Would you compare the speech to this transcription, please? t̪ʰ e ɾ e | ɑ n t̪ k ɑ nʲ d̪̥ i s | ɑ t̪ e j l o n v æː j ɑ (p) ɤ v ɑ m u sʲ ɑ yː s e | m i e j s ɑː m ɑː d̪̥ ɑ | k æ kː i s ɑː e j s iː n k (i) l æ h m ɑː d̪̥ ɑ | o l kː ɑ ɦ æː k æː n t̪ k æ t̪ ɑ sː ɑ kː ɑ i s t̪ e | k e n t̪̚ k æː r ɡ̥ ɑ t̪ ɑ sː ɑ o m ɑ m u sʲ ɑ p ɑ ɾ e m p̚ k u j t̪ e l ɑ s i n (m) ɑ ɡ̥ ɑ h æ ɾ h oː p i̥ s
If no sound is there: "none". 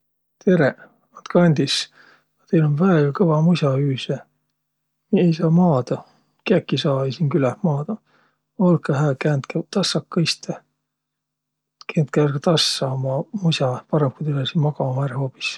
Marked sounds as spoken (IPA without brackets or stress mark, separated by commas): k, y, m